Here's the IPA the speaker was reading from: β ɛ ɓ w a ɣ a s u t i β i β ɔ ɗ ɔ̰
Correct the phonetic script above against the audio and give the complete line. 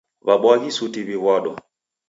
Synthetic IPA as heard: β a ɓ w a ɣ i s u t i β i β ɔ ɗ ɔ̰